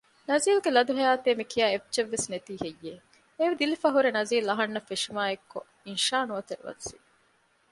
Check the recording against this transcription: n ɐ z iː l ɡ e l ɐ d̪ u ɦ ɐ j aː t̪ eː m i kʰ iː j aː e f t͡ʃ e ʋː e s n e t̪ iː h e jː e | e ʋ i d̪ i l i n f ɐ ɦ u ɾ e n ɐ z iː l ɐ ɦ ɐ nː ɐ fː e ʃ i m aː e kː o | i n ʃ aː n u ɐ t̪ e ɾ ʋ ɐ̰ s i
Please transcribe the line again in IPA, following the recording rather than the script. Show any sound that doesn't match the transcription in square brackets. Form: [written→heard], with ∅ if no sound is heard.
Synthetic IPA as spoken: n ɐ z iː l ɡ e l ɐ d̪ u ɦ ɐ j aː t̪ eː m i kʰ [iː→i] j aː e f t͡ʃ e ʋː e s n e t̪ iː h e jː e | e ʋ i d̪ i l i [n→∅] f ɐ ɦ u ɾ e n ɐ z iː l ɐ ɦ ɐ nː ɐ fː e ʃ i m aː e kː o | i n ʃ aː n u ɐ t̪ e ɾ ʋ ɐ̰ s i